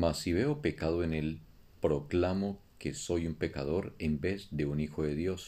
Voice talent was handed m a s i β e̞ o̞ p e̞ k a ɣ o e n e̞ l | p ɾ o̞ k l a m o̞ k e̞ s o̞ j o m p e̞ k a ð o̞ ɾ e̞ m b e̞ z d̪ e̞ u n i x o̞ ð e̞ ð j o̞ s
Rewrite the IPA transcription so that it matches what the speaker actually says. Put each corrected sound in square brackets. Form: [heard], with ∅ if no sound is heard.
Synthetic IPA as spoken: m a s i β e̞ o̞ p e̞ k a [ð] o e n e̞ l | p ɾ o̞ k l a m o̞ k e̞ s o̞ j [u] m p e̞ k a ð o̞ ɾ e̞ m b e̞ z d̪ e̞ u n i x o̞ ð e̞ ð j o̞ s